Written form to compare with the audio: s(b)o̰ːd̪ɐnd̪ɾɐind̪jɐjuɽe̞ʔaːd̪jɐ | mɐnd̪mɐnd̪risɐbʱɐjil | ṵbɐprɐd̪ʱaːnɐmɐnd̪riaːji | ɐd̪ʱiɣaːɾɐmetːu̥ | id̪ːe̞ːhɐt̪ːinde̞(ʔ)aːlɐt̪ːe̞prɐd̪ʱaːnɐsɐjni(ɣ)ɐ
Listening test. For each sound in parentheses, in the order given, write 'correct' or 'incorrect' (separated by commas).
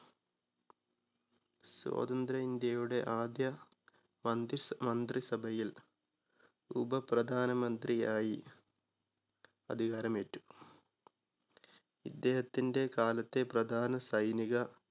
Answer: incorrect, incorrect, correct